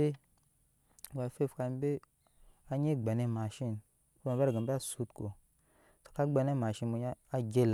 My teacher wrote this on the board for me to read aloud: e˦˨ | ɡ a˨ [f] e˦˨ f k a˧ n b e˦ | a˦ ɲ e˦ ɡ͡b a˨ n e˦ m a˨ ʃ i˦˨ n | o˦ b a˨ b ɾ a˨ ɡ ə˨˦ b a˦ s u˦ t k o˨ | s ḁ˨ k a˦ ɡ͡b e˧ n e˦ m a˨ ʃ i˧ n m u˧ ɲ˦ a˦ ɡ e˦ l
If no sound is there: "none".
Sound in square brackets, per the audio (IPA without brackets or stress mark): f